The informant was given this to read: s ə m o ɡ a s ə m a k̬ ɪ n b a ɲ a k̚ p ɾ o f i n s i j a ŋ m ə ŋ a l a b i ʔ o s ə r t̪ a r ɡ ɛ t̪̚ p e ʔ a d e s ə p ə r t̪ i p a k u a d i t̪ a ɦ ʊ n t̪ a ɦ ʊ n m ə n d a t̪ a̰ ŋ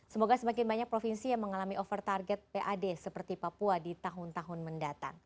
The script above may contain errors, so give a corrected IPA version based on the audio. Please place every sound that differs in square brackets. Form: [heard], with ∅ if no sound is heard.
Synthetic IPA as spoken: s ə m o ɡ a s ə m a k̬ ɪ n b a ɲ a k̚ p ɾ o f i n s i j a ŋ m ə ŋ a l a [m] i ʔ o [f] ə r t̪ a r ɡ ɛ t̪̚ p e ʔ a d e s ə p ə r t̪ i p a [p] u a d i t̪ a ɦ ʊ n t̪ a ɦ ʊ n m ə n d a t̪ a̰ ŋ